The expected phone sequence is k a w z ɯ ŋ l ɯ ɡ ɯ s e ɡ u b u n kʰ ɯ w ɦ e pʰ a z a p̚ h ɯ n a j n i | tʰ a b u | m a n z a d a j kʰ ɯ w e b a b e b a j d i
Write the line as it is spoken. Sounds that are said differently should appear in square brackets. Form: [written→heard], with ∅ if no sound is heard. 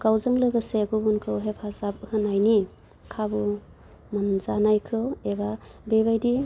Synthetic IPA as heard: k a w z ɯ ŋ l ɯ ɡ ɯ s e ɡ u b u n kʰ ɯ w ɦ e pʰ a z a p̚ h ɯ n a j n i | [tʰ→kʰ] a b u | m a n z a [d→n] a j kʰ ɯ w e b a b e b a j d i